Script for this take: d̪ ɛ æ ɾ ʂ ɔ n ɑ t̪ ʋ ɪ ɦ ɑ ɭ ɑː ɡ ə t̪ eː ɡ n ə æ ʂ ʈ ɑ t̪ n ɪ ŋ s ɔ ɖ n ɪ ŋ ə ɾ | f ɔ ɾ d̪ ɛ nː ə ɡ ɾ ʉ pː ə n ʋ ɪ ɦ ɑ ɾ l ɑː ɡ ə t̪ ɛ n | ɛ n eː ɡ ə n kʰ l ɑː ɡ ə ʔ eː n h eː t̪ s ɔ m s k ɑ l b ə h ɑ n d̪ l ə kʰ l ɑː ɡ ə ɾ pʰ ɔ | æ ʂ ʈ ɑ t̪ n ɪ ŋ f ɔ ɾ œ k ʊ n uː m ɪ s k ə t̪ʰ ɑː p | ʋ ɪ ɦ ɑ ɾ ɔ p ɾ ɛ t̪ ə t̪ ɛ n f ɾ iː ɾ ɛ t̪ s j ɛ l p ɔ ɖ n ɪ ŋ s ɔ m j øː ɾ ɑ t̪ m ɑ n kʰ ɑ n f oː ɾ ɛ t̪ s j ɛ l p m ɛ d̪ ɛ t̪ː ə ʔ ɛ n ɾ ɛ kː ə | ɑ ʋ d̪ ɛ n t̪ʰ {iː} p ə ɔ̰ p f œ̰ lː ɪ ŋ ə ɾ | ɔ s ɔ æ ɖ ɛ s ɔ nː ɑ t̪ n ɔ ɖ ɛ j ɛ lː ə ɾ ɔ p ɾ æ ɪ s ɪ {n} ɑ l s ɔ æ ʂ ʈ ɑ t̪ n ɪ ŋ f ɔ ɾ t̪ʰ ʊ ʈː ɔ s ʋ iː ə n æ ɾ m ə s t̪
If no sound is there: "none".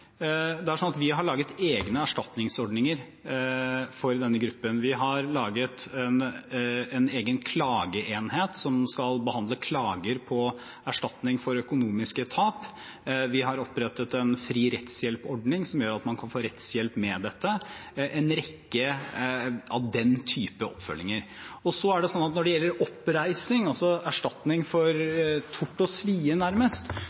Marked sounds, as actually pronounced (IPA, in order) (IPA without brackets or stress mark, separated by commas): yː, ŋ